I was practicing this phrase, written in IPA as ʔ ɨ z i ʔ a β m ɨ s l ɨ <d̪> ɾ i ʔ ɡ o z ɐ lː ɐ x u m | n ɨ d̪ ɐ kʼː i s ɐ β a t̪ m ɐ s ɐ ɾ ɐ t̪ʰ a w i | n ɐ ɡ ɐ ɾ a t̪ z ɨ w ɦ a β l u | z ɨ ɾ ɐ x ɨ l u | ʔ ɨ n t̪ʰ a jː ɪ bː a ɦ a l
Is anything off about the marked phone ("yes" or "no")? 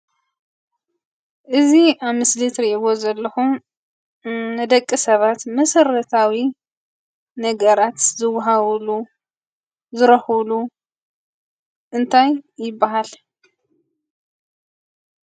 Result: yes